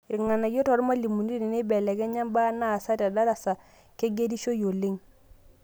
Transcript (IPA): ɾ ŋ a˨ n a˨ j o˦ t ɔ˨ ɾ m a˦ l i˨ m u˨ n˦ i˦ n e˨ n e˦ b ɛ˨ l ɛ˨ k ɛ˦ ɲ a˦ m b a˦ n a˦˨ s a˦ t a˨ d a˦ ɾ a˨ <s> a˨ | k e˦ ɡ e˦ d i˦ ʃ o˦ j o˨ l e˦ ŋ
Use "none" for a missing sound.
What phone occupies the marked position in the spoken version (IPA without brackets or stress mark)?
s